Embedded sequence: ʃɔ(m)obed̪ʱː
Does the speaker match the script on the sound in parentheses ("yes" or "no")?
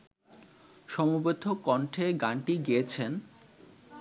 yes